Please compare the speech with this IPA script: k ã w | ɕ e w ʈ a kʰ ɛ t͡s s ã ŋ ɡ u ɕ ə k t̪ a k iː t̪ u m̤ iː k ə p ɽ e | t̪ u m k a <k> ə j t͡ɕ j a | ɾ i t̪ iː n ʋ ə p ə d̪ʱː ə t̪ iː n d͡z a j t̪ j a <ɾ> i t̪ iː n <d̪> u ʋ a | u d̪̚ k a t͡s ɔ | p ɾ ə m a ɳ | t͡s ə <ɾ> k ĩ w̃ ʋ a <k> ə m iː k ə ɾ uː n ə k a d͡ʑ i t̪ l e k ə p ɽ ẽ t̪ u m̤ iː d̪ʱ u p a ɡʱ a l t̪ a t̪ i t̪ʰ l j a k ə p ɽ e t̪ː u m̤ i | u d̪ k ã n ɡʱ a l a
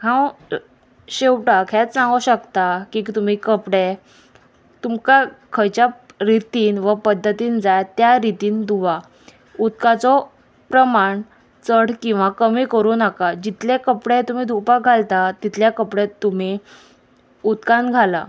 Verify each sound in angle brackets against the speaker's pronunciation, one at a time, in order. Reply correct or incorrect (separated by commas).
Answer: incorrect, correct, correct, incorrect, correct